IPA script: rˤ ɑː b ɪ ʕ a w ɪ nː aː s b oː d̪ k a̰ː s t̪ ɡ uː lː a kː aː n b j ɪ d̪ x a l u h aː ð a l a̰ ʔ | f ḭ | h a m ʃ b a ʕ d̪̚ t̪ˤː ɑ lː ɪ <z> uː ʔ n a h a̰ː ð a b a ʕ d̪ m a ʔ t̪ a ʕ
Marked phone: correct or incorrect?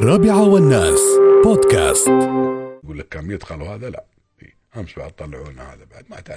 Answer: incorrect